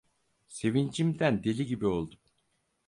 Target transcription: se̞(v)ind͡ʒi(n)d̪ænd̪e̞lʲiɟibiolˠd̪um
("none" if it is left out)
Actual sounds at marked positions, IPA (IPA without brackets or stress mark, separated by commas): v, m